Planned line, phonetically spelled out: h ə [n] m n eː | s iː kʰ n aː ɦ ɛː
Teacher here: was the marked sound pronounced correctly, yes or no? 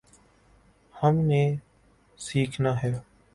no